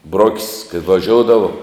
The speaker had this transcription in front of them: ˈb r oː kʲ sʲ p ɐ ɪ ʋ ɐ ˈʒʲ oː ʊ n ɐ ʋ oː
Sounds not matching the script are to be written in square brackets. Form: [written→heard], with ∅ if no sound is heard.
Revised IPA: ˈb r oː kʲ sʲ [p→k] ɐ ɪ ʋ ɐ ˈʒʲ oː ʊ [n→d] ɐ ʋ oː